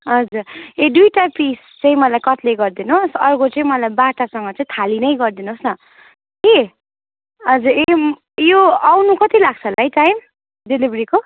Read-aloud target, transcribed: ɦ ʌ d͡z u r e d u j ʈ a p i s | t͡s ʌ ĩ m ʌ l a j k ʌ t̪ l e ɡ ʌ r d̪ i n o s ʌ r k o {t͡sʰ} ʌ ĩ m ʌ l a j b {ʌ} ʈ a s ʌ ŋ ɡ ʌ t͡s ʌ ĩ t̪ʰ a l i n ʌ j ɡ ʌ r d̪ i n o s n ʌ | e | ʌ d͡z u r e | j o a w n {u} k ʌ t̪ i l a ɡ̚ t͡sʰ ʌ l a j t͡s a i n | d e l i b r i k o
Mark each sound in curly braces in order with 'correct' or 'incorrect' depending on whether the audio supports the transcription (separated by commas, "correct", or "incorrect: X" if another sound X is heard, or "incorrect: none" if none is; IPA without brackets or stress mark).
incorrect: t͡s, incorrect: a, correct